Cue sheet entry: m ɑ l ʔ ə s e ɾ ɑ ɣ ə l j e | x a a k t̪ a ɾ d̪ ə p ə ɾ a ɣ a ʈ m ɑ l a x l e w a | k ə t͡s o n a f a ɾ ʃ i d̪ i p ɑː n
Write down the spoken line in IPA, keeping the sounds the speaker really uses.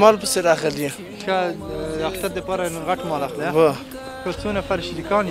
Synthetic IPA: m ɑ l p ə s e ɾ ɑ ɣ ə l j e | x a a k t̪ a ɾ d̪ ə p ɑ ɾ a ɣ a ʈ m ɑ l a x l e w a | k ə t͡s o n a f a ɾ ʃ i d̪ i k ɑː n